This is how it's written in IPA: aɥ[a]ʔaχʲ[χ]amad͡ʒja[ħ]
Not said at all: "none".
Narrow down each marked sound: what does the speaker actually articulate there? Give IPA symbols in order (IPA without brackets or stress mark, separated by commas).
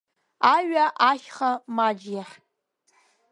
a, χ, ħ